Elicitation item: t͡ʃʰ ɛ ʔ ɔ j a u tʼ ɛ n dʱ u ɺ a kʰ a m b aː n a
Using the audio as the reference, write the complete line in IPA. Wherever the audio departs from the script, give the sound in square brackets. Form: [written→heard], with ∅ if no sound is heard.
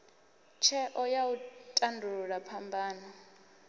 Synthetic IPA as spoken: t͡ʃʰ ɛ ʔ ɔ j a u tʼ [ɛ→a] n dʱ u ɺ a [kʰ→pʰ] a m b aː n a